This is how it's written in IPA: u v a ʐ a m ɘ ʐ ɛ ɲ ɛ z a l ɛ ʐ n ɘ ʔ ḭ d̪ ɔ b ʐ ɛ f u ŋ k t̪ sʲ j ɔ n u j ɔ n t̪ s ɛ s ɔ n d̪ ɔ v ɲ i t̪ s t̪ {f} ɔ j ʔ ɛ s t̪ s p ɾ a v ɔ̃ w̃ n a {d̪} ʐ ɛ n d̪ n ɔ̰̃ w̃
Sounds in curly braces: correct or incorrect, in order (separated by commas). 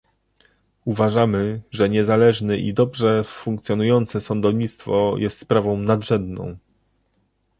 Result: correct, correct